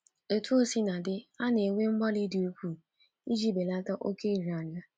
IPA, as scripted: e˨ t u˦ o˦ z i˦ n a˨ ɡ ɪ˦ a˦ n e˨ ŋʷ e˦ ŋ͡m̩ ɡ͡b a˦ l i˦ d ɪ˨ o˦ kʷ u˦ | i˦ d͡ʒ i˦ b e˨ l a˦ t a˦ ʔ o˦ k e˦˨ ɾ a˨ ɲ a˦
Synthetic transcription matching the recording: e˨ t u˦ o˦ s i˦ n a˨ d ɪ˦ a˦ n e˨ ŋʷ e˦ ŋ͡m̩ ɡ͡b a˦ l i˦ d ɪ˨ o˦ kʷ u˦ | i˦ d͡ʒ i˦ b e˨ l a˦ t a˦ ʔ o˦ k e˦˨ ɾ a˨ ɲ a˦